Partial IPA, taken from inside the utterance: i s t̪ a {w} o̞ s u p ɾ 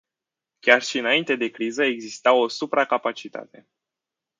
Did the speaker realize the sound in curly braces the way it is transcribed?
yes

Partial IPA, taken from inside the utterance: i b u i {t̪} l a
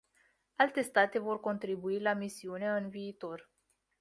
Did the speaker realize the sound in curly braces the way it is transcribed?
no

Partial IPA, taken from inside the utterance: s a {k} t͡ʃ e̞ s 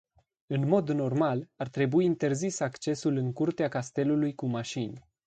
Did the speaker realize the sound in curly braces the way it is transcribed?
yes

